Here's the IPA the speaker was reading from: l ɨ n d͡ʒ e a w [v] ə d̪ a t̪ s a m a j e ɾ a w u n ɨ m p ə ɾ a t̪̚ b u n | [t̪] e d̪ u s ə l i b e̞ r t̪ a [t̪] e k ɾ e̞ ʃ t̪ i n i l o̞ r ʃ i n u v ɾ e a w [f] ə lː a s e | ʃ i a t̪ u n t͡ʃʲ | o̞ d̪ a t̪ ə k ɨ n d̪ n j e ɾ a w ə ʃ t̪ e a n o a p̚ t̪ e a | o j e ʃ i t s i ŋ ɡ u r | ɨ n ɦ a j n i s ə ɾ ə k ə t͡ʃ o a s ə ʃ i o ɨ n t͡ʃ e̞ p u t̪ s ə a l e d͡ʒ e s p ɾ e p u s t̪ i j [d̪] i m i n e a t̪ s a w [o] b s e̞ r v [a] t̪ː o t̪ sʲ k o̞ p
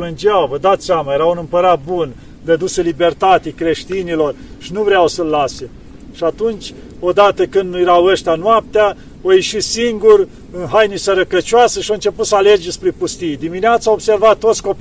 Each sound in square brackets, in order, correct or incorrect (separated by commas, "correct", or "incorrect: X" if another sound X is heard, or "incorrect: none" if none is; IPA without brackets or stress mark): correct, incorrect: d̪, correct, incorrect: s, correct, correct, correct